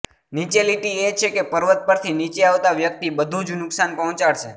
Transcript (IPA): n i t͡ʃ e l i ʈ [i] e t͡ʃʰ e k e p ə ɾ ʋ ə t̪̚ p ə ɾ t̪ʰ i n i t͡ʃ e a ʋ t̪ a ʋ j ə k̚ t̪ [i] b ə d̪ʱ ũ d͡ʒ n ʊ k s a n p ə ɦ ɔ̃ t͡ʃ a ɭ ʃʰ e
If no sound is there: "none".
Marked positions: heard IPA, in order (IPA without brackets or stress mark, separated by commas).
i, i